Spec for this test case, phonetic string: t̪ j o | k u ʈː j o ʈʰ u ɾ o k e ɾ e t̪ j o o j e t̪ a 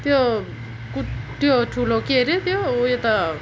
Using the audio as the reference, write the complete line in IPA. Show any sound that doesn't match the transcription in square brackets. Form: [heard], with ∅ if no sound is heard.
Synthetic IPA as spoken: t̪ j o | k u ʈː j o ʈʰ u [l] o k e ɾ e t̪ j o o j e t̪ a

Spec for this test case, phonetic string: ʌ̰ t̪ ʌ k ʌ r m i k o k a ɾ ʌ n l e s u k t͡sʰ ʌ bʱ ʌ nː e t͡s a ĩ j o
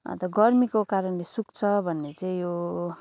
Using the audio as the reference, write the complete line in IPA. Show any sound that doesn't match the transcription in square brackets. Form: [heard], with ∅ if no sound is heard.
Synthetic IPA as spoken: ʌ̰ t̪ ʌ [ɡ] ʌ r m i k o k a ɾ ʌ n l e s u k t͡sʰ ʌ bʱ ʌ nː e t͡s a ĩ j o

